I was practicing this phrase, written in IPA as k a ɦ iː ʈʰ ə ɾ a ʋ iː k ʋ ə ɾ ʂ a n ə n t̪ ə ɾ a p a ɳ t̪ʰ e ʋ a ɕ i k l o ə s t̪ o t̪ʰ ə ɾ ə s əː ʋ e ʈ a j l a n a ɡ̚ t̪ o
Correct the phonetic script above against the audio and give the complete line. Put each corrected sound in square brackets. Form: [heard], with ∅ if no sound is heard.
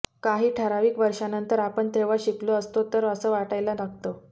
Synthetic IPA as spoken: k a ɦ iː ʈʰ ə ɾ a ʋ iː k ʋ ə ɾ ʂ a n ə n t̪ ə ɾ a p [ə] ɳ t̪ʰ e ʋ a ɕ i k l o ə s t̪ o [t̪] ə ɾ ə s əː ʋ [a] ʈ a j l a n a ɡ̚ t̪ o

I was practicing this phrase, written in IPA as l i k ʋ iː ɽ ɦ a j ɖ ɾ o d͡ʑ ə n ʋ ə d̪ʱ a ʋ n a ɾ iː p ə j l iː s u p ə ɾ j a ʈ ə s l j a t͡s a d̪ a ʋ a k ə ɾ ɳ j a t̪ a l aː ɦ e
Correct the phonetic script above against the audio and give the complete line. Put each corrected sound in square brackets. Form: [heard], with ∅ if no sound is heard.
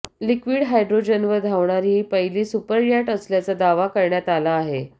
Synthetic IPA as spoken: l i k ʋ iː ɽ ɦ a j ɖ ɾ o d͡ʑ ə n ʋ ə d̪ʱ a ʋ [ɳ] a ɾ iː p ə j l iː s u p ə ɾ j a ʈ ə s l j a t͡s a d̪ a ʋ a k ə ɾ ɳ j a t̪ a l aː ɦ e

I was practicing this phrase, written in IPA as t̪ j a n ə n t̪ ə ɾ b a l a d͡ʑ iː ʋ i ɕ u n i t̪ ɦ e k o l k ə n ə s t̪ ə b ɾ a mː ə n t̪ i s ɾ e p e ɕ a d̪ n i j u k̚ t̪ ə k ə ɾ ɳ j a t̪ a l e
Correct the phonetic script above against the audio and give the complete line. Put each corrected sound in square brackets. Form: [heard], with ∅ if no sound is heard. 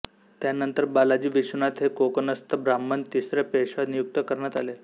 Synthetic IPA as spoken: t̪ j a n ə n t̪ ə ɾ b a l a d͡ʑ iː ʋ i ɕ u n [a] t̪ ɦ e k o [∅] k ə n ə s t̪ ə b ɾ a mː ə n t̪ i s ɾ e p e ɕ a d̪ n i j u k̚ t̪ ə k ə ɾ ɳ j a t̪ a l e

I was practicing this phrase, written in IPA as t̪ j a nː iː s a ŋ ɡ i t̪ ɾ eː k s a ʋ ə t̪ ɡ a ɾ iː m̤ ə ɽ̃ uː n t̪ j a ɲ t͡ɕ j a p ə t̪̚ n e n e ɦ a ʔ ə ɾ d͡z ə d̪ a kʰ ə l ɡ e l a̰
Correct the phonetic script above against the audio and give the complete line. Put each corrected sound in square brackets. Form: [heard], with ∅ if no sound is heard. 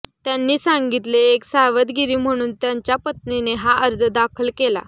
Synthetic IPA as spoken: t̪ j a nː iː s a ŋ ɡ i t̪ [l] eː k s a ʋ ə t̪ ɡ [i] ɾ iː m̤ ə ɽ̃ uː n t̪ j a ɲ t͡ɕ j a p ə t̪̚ n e n e ɦ a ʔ ə ɾ d͡z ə d̪ a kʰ ə l [k] e l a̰

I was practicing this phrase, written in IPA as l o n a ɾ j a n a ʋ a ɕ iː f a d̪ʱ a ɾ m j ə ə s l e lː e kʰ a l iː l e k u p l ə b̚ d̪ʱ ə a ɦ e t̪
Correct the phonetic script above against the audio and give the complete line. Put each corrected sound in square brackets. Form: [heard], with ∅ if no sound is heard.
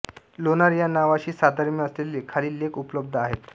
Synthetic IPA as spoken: l o n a ɾ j a n a ʋ a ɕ iː [s] a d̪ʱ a ɾ m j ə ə s l e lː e kʰ a l iː l e k u p l ə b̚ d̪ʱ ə a ɦ e t̪

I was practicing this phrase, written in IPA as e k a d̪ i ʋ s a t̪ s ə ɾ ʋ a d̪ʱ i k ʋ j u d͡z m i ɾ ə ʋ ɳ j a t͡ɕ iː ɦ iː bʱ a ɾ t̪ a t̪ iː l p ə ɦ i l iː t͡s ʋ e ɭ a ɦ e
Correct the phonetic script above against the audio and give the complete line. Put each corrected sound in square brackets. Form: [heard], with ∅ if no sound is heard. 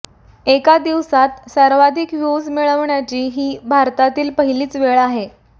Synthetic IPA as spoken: e k a d̪ i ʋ s a t̪ s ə ɾ ʋ a d̪ʱ i k ʋ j u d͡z m i [ɭ] ə ʋ ɳ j a t͡ɕ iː ɦ iː bʱ a ɾ t̪ a t̪ iː l p ə ɦ i l iː t͡s ʋ e ɭ a ɦ e

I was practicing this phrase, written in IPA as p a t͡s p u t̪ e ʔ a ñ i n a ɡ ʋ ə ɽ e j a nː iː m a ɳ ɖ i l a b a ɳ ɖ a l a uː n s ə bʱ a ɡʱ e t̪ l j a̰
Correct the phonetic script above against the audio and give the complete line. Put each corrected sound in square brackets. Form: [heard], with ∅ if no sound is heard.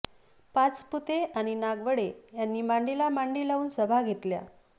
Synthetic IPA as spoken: p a t͡s p u t̪ e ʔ a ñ i n a ɡ ʋ ə ɽ e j a nː iː m a ɳ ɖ i l a [m] a ɳ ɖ [i] l a uː n s ə bʱ a ɡʱ e t̪ l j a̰

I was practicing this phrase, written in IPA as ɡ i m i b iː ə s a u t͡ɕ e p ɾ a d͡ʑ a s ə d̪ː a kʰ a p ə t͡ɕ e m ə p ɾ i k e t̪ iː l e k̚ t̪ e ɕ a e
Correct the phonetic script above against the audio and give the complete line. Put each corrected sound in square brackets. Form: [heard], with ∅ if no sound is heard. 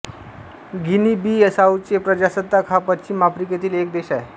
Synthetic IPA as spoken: ɡ i [n] i b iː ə s a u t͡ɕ e p ɾ [ə] d͡ʑ a s ə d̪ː a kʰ a p ə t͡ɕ [i] m [a] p ɾ i k e t̪ iː l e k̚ [d̪] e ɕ a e

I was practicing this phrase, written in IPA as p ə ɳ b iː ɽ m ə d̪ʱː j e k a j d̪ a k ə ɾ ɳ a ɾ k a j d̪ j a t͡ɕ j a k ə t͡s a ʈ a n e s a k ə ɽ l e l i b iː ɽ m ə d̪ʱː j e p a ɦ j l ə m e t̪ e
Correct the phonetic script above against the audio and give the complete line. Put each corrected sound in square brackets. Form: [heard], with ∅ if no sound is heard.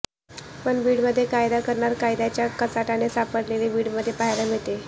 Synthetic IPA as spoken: p ə ɳ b iː ɽ m ə d̪ʱː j e k a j d̪ a k ə ɾ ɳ a ɾ k a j d̪ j a t͡ɕ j a k ə t͡s a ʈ a n e s a [p] ə ɽ l e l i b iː ɽ m ə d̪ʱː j e p a ɦ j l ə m e t̪ e

